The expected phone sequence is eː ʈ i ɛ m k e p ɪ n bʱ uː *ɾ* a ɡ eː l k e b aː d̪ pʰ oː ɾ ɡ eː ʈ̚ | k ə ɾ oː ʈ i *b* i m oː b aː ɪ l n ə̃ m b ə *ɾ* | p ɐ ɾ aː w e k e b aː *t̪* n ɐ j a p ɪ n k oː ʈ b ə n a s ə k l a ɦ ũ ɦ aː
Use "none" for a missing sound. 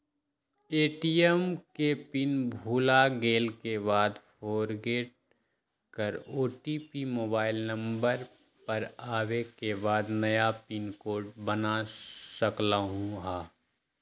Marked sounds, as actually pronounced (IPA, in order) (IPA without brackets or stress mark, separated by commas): l, p, ɾ, d̪